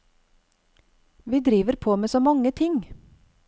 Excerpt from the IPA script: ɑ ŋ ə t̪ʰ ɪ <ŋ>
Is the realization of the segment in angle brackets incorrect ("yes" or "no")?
no